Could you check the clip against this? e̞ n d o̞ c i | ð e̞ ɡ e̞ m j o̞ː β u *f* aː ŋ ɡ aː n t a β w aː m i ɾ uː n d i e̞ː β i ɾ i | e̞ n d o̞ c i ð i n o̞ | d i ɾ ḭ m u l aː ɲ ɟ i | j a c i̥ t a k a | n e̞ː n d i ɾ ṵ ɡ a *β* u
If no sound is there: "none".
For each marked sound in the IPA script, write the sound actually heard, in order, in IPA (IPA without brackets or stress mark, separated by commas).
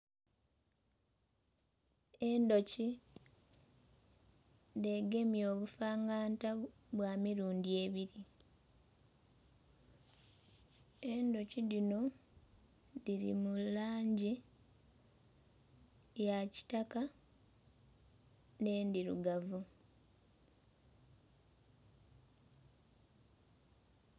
f, v